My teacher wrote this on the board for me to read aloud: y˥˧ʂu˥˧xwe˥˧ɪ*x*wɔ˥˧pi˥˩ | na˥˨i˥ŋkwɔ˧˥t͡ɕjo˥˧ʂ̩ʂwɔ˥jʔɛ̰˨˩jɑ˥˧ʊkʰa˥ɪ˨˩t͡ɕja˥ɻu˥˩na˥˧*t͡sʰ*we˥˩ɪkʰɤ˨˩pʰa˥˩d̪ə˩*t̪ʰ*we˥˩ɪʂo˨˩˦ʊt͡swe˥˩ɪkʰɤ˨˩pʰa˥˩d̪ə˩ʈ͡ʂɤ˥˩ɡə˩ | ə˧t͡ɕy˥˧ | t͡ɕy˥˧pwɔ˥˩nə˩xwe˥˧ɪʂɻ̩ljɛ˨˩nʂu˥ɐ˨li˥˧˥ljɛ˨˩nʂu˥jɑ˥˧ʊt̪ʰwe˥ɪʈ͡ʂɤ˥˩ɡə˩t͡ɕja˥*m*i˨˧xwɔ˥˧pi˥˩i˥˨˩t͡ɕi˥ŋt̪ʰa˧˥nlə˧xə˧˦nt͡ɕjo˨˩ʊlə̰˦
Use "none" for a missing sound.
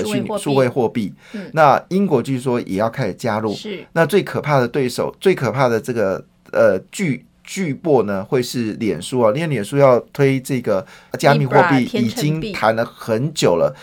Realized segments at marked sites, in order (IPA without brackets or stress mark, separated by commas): x, t͡s, t̪, m